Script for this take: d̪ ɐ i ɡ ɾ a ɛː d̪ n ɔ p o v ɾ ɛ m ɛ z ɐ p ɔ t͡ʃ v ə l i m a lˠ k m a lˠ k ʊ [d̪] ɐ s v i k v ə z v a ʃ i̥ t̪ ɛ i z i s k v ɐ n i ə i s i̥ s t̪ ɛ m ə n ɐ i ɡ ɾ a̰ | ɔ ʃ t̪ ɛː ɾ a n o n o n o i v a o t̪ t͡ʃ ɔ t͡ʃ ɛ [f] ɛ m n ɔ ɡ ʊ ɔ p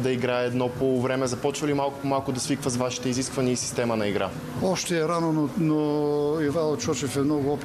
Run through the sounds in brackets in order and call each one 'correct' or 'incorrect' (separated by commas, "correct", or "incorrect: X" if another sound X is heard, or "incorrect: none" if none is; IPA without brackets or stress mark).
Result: correct, correct